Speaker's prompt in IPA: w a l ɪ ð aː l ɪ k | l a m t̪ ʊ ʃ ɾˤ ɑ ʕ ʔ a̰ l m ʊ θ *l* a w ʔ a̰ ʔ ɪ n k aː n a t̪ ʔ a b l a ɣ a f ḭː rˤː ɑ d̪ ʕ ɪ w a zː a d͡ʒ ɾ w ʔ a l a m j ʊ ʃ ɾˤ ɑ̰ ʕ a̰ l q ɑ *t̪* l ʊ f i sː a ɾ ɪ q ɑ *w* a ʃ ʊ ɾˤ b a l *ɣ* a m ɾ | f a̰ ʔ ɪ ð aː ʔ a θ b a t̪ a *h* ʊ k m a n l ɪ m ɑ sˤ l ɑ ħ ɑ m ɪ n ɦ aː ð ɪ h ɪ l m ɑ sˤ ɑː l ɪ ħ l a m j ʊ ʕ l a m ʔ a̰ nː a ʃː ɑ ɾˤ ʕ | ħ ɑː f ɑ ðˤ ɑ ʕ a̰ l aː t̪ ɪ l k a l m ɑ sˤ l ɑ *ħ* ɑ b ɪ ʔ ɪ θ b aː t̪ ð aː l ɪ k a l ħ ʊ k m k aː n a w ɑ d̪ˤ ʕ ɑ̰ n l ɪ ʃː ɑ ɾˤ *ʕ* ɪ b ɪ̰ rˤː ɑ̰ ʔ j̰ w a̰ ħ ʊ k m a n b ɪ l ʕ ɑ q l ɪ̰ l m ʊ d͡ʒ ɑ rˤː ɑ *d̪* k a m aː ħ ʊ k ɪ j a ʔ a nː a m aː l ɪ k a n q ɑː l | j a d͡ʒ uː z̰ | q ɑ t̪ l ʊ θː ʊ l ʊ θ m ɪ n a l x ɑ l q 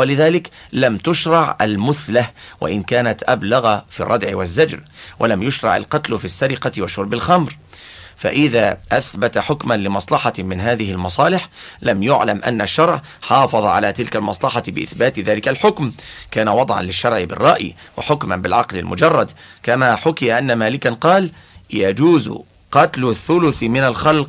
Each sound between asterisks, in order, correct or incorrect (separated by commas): correct, correct, correct, incorrect, incorrect, correct, correct, correct